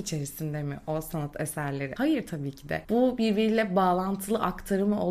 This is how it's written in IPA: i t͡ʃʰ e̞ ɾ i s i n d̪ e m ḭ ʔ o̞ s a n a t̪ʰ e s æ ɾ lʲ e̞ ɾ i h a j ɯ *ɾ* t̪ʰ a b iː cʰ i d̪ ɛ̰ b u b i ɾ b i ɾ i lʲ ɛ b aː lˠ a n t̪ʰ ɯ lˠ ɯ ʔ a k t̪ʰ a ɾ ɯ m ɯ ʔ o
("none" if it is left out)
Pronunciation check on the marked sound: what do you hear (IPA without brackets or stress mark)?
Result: ɾ